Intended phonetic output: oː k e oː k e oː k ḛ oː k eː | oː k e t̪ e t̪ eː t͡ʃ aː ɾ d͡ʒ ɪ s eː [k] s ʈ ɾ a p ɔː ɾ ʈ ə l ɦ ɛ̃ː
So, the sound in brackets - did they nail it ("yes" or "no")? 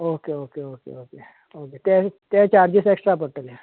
yes